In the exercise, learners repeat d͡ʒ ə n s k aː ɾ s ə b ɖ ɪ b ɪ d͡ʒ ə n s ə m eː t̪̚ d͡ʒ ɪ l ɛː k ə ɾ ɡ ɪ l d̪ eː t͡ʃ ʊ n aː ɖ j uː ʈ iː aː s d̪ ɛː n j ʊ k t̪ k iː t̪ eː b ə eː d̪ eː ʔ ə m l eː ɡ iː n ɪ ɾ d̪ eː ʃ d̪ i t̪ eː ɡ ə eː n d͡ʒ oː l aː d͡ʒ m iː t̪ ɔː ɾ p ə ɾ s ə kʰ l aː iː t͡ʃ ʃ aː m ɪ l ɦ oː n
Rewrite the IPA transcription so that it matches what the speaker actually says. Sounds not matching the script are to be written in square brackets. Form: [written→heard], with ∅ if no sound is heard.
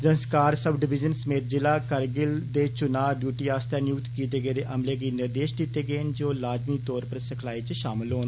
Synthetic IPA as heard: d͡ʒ ə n s k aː ɾ s ə b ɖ ɪ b ɪ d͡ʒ ə n s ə m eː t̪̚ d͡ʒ ɪ l [ɛː→aː] k ə ɾ ɡ ɪ l d̪ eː t͡ʃ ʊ n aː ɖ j uː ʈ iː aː s [d̪→t̪] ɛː n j ʊ k t̪ k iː t̪ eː [b→ɡ] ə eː d̪ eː ʔ ə m l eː ɡ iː n ɪ ɾ d̪ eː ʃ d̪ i t̪ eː ɡ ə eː n d͡ʒ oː l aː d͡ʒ m iː t̪ ɔː ɾ p ə ɾ s ə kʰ l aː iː t͡ʃ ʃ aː m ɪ l ɦ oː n